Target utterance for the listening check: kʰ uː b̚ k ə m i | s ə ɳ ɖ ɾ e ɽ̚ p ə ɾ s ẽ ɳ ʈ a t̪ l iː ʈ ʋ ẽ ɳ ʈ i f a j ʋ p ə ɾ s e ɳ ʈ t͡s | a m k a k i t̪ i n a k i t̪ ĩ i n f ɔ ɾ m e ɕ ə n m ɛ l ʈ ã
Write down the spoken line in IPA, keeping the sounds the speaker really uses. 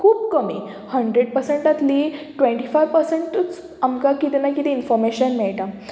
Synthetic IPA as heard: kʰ uː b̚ k ə m i | h ə ɳ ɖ ɾ e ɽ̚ p ə ɾ s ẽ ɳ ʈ a t̪ l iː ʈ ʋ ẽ ɳ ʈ i f a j ʋ p ə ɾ s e ɳ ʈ t͡s | a m k a k i t̪ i n a k i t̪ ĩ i n f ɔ ɾ m e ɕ ə n m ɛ ɭ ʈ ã